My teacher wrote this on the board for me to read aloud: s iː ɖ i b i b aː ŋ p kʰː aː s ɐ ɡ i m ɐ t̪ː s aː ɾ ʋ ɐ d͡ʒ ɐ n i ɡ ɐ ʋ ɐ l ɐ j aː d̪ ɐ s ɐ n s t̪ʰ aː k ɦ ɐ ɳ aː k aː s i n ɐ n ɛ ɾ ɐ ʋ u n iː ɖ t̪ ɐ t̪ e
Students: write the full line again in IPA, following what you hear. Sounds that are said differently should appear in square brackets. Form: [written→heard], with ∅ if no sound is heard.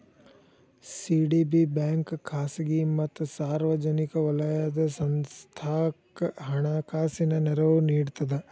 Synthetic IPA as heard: s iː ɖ i b i b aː ŋ [p→k] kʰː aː s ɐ ɡ i m ɐ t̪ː s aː ɾ ʋ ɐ d͡ʒ ɐ n i [ɡ→k] ɐ ʋ ɐ l ɐ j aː d̪ ɐ s ɐ n s t̪ʰ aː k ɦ ɐ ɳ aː k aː s i n ɐ n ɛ ɾ ɐ ʋ u n iː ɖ t̪ ɐ [t̪→d̪] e

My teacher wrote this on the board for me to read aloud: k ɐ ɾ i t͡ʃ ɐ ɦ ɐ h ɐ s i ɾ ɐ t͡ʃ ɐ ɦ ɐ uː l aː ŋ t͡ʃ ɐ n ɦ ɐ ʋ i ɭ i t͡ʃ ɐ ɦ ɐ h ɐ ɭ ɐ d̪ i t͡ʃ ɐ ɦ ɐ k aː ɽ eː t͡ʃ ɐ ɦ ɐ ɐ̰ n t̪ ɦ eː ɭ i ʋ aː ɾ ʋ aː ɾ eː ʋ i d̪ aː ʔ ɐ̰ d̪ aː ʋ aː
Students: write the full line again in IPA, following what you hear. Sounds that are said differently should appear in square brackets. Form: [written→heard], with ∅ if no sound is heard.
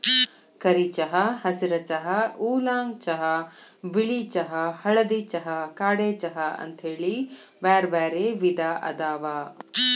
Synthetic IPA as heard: k ɐ ɾ i t͡ʃ ɐ ɦ ɐ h ɐ s i ɾ ɐ t͡ʃ ɐ ɦ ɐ uː l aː ŋ t͡ʃ ɐ [n→∅] ɦ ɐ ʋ i ɭ i t͡ʃ ɐ ɦ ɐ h ɐ ɭ ɐ d̪ i t͡ʃ ɐ ɦ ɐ k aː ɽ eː t͡ʃ ɐ ɦ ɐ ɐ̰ n t̪ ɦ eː ɭ i ʋ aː ɾ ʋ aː ɾ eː ʋ i d̪ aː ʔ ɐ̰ d̪ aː ʋ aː

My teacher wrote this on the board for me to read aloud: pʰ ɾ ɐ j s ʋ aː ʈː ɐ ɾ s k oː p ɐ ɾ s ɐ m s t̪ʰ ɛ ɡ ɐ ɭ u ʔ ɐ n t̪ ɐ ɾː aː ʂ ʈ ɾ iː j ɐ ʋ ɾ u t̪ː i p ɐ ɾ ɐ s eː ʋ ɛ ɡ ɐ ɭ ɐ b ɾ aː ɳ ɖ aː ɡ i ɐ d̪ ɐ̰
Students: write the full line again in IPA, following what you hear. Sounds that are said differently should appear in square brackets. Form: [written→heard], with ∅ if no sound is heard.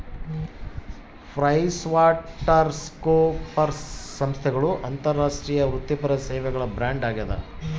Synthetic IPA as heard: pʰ ɾ ɐ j s ʋ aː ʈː ɐ ɾ s k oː p ɐ ɾ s ɐ m s t̪ʰ ɛ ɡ ɐ ɭ u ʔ ɐ n t̪ ɐ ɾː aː ʂ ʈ ɾ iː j ɐ ʋ ɾ u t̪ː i p ɐ ɾ ɐ s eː ʋ ɛ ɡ ɐ ɭ ɐ b ɾ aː ɳ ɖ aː ɡ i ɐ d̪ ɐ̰

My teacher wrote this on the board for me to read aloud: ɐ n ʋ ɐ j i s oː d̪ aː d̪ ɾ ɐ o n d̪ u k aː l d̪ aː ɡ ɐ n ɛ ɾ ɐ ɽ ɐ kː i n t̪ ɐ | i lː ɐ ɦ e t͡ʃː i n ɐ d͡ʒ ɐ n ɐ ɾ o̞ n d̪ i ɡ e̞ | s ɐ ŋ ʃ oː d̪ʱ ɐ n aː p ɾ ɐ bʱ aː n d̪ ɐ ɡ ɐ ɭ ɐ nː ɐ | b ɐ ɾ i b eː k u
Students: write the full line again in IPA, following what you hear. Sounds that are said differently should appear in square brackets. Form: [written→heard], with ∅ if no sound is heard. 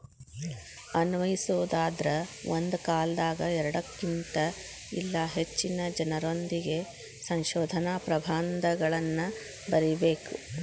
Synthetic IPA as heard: ɐ n ʋ ɐ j i s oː d̪ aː d̪ ɾ ɐ o n d̪ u k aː l d̪ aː ɡ ɐ [n→∅] ɛ ɾ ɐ ɽ ɐ kː i n t̪ ɐ | i lː ɐ ɦ e t͡ʃː i n ɐ d͡ʒ ɐ n ɐ ɾ o̞ n d̪ i ɡ e̞ | s ɐ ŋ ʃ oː d̪ʱ ɐ n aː p ɾ ɐ bʱ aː n d̪ ɐ ɡ ɐ ɭ ɐ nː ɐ | b ɐ ɾ i b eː k u

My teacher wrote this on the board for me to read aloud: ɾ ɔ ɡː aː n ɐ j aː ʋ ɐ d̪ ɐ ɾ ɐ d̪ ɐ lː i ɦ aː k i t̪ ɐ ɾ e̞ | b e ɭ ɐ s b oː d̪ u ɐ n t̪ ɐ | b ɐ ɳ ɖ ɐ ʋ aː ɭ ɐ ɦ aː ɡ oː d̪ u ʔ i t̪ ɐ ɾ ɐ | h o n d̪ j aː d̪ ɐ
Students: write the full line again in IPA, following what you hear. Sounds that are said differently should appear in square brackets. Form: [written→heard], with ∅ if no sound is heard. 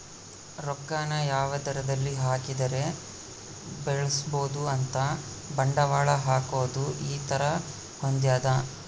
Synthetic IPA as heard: ɾ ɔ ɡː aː n ɐ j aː ʋ ɐ d̪ ɐ ɾ ɐ d̪ ɐ lː i ɦ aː k i [t̪→d̪] ɐ ɾ e̞ | b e ɭ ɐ s b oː d̪ u ɐ n t̪ ɐ | b ɐ ɳ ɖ ɐ ʋ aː ɭ ɐ ɦ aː [ɡ→k] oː d̪ u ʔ [i→iː] t̪ ɐ ɾ ɐ | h o n d̪ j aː d̪ ɐ

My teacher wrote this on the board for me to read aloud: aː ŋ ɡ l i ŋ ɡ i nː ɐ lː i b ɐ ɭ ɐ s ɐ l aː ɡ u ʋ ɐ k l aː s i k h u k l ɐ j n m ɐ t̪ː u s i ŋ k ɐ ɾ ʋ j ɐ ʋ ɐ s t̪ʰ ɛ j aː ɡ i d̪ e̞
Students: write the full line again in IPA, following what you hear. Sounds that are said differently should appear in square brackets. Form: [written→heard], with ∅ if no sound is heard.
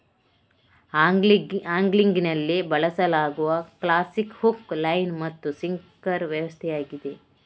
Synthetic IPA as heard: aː ŋ ɡ l i ŋ ɡ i [nː→n] ɐ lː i b ɐ ɭ ɐ s ɐ l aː ɡ u ʋ ɐ k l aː s i k h u k l ɐ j n m ɐ t̪ː u s i ŋ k ɐ ɾ ʋ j ɐ ʋ ɐ s t̪ʰ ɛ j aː ɡ i d̪ e̞

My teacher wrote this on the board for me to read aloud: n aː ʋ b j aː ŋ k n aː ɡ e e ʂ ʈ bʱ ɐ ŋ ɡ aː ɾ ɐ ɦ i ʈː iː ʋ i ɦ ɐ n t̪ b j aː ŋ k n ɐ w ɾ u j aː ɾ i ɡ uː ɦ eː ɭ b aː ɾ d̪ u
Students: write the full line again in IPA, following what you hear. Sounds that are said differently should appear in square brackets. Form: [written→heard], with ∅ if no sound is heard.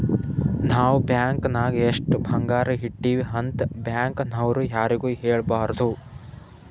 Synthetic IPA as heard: n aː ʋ b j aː ŋ k n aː ɡ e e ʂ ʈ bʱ ɐ ŋ ɡ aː ɾ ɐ ɦ i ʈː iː ʋ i ɦ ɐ n t̪ b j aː ŋ k n ɐ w ɾ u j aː ɾ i ɡ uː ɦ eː ɭ b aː ɾ d̪ u

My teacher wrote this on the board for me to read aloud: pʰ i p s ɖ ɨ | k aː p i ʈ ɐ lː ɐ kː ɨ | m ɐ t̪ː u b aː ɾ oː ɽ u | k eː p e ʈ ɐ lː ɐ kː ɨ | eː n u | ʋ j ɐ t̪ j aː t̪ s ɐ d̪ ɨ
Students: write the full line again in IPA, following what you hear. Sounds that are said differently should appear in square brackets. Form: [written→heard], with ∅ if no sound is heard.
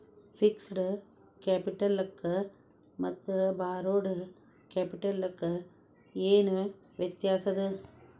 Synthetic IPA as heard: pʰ i [p→k] s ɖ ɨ | k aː p i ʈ ɐ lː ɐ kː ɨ | m ɐ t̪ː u b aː ɾ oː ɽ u | k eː p [e→i] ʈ ɐ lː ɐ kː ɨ | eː n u | ʋ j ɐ t̪ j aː [t̪→∅] s ɐ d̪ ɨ

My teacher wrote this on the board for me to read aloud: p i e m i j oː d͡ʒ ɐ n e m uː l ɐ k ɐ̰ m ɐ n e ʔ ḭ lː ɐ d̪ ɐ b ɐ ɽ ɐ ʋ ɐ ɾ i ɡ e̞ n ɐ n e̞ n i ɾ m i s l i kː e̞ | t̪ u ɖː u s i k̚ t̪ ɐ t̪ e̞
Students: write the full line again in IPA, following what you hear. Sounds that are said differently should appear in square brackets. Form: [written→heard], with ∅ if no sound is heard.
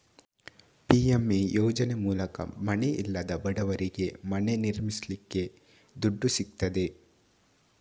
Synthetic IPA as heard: p i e m i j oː d͡ʒ ɐ n e m uː l ɐ k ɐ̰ m ɐ n e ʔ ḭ lː ɐ d̪ ɐ b ɐ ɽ ɐ ʋ ɐ ɾ i ɡ e̞ [n→m] ɐ n e̞ n i ɾ m i s l i kː e̞ | [t̪→d̪] u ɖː u s i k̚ t̪ ɐ [t̪→d̪] e̞

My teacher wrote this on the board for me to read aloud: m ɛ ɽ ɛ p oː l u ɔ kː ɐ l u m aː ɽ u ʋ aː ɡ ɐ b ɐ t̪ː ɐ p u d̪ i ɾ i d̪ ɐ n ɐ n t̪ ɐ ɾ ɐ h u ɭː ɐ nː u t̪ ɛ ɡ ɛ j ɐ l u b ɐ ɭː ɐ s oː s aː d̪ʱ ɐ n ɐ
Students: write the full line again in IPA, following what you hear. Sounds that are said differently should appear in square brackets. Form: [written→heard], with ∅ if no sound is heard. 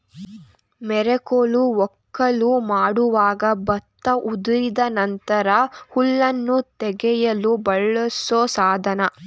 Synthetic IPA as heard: m ɛ [ɽ→ɾ] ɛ [p→k] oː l u ɔ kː ɐ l u m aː ɽ u ʋ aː ɡ ɐ b ɐ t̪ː ɐ [p→ʔ] u d̪ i ɾ i d̪ ɐ n ɐ n t̪ ɐ ɾ ɐ h u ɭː ɐ nː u t̪ ɛ ɡ ɛ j ɐ l u b ɐ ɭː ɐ s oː s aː d̪ʱ ɐ n ɐ

